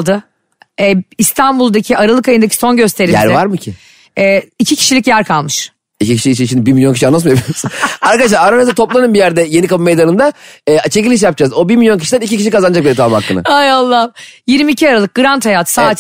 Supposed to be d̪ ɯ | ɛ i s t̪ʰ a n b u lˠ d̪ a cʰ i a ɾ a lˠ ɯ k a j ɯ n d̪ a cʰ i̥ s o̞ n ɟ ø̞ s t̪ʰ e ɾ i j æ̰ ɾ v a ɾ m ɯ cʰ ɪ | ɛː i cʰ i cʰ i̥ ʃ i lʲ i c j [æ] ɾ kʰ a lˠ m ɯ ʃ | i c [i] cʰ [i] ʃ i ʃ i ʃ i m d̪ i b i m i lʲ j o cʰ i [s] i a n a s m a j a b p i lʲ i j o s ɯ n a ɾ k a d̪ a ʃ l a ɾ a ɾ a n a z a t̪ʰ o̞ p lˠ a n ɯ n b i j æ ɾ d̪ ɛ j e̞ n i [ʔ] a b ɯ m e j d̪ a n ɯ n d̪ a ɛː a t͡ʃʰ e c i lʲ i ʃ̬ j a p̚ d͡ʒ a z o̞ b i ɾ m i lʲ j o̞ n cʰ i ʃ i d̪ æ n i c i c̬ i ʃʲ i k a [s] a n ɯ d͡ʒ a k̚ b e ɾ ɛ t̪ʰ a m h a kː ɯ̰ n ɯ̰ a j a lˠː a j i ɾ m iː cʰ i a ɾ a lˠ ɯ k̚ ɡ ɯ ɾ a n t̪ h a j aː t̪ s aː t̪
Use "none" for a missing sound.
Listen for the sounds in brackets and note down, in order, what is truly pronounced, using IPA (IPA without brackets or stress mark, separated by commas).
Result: æ, i, i, ʃ, k, z